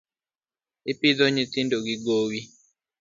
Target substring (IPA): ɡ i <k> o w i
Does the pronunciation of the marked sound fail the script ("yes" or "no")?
yes